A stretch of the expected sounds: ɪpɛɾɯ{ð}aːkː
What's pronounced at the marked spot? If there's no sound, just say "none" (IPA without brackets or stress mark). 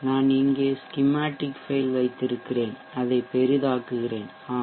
ð